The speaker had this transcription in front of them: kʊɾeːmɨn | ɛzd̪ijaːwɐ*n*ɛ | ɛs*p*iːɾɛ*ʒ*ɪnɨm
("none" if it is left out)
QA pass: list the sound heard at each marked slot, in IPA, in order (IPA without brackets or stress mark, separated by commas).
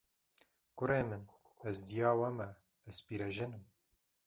m, p, ʒ